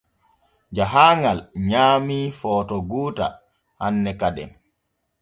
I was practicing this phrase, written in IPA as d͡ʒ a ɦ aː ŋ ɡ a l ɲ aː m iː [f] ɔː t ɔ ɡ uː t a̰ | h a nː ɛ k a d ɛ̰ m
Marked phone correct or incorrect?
correct